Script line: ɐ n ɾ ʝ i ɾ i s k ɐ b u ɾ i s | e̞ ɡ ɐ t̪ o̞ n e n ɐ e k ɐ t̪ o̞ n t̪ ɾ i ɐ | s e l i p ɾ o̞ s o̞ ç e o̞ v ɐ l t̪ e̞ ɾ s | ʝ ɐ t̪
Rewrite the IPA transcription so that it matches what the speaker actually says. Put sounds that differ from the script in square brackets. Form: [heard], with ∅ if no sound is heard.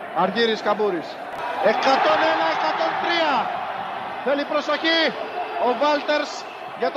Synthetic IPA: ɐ [∅] ɾ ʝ i ɾ i s k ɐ b u ɾ i s | e̞ [k] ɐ t̪ o̞ n e n ɐ e k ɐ t̪ o̞ n t̪ ɾ i ɐ | [θ] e l i p ɾ o̞ s o̞ ç [i] o̞ v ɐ l t̪ e̞ ɾ s | ʝ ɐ t̪